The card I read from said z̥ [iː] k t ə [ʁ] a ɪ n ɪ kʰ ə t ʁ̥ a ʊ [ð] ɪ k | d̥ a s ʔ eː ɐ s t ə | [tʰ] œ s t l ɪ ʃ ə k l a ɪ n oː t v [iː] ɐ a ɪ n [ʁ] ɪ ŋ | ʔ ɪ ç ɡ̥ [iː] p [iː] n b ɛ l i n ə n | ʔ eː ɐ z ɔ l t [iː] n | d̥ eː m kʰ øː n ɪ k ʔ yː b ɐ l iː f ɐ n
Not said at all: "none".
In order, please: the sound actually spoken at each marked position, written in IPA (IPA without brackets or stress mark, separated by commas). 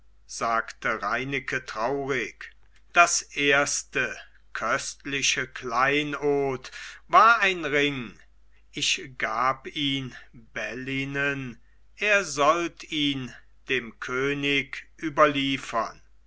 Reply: aː, ʁ, ʁ, kʰ, aː, ʁ, aː, iː, iː